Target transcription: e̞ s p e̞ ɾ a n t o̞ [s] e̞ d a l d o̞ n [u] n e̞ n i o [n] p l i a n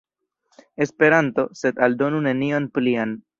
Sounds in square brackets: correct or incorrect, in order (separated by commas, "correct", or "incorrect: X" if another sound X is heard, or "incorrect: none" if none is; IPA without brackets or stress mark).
correct, correct, correct